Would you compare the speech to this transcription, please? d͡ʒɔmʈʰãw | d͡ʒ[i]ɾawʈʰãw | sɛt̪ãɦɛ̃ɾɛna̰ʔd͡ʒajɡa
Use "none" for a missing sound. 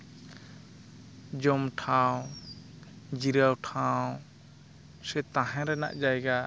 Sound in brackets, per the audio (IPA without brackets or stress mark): i